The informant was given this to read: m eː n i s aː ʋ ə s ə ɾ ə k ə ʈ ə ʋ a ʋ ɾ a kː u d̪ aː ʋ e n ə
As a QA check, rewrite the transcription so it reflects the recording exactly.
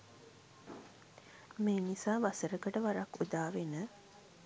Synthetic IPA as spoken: m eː n i s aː ʋ a s ə ɾ ə k ə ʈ ə ʋ a ɾ a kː u d̪ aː ʋ e n ə

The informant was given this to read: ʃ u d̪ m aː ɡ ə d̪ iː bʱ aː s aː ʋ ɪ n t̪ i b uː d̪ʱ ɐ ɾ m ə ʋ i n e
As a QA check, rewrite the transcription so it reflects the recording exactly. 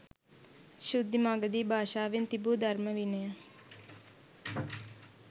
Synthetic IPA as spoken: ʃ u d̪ m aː ɡ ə d̪ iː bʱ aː ʃ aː ʋ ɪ n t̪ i b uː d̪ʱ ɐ ɾ m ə ʋ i n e

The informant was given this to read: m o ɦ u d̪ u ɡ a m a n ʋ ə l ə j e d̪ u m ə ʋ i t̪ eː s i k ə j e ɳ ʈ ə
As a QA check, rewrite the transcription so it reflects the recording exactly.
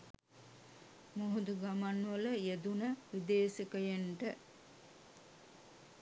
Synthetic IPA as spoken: m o ɦ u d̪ u ɡ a m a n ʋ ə l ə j e d̪ u n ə ʋ i d̪ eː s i k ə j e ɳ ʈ ə

